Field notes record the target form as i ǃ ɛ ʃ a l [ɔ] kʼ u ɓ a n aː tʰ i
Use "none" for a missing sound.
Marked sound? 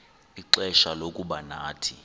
o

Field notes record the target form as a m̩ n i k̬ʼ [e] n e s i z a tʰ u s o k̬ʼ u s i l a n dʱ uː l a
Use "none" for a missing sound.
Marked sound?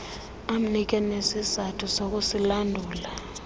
ɛ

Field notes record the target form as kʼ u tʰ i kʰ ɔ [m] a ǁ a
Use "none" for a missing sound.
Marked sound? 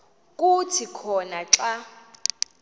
n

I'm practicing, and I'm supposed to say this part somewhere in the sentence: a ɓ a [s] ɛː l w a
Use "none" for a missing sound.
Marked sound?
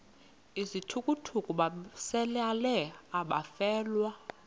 f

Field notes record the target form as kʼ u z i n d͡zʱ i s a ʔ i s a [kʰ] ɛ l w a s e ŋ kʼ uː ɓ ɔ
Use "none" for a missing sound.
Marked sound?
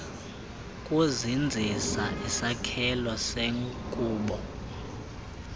kʰ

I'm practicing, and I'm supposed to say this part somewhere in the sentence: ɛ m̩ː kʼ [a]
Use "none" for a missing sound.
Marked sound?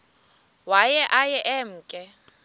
ɛ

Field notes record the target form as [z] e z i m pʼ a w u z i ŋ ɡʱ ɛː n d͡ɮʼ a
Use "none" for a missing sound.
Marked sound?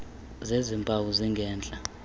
z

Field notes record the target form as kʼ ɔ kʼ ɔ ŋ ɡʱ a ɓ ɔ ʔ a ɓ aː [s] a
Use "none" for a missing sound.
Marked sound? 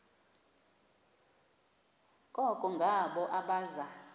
z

